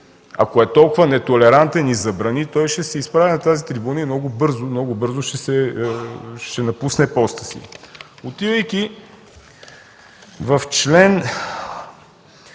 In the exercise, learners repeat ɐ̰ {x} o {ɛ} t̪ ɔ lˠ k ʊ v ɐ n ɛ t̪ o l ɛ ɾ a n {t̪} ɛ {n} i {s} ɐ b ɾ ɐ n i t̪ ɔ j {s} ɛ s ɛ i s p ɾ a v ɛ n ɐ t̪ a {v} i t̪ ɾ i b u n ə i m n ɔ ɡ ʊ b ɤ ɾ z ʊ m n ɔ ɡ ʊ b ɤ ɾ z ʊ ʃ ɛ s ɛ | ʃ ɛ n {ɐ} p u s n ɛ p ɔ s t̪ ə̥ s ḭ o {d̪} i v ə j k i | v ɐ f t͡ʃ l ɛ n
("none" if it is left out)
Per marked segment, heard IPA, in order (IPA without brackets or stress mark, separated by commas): k, ɛ, t̪, n, z, ʃ, z, ɐ, t̪